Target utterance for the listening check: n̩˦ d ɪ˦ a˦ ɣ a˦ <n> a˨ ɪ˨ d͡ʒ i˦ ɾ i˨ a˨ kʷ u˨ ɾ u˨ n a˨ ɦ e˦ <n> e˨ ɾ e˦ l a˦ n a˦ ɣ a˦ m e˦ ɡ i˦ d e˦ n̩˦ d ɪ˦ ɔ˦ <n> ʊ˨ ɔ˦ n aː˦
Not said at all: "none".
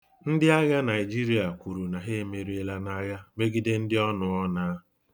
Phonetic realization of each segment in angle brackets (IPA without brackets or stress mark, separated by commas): n, m, n